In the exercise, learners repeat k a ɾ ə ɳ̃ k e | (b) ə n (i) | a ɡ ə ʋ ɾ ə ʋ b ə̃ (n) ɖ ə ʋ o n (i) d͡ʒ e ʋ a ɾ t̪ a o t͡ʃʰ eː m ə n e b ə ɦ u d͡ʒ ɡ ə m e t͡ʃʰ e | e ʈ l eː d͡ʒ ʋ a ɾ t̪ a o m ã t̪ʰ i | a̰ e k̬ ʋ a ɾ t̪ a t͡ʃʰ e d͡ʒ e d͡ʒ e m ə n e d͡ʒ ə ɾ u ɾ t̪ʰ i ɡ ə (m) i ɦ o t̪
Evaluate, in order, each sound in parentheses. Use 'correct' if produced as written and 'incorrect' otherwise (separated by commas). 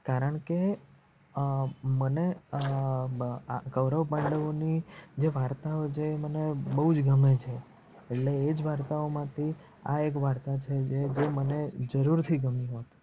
incorrect, incorrect, incorrect, correct, correct